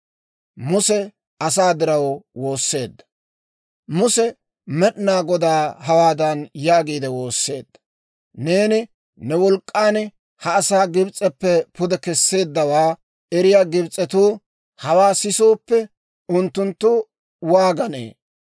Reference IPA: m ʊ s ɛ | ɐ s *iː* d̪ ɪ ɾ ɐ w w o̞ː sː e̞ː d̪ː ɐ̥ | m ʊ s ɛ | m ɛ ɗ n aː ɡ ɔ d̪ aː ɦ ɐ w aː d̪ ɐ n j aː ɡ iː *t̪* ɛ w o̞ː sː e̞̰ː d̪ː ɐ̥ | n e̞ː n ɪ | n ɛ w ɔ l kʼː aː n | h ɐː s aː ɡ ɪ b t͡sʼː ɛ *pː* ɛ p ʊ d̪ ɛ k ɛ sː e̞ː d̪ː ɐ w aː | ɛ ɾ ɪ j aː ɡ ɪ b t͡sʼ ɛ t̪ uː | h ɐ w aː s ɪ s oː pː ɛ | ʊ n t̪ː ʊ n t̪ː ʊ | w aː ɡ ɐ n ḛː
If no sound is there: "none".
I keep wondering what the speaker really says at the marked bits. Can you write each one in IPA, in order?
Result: aː, d̪, pː

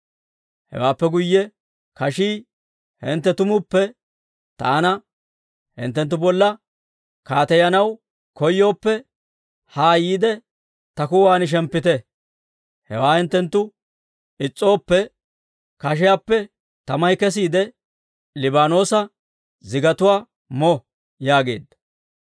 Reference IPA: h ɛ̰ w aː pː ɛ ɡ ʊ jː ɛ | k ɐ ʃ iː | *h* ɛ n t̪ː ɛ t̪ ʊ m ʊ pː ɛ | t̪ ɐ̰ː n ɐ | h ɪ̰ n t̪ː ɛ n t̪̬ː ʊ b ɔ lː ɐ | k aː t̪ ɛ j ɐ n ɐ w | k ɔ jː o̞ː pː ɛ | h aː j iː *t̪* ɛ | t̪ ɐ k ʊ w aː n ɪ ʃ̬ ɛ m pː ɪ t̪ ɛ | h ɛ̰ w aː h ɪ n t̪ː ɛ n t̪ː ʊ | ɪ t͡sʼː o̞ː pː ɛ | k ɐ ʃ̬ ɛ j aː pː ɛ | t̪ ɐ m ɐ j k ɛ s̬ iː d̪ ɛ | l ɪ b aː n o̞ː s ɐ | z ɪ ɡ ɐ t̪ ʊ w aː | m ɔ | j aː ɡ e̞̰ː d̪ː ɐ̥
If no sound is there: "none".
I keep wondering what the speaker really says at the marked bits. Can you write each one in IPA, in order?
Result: h, d̪

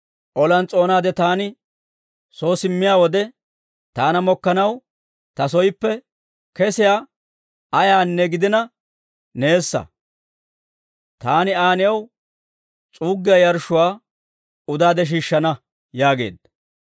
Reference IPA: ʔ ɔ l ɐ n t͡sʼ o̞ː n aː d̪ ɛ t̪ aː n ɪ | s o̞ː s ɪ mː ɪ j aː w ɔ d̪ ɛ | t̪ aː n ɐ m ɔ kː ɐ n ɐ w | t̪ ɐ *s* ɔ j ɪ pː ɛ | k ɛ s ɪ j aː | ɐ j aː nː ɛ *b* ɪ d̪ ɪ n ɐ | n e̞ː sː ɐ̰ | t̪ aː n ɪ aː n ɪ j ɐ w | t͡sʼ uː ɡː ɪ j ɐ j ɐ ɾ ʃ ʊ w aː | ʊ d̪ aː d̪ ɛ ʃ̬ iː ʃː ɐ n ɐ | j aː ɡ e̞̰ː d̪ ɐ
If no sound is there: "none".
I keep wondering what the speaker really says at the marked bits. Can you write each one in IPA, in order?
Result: s, ɡ

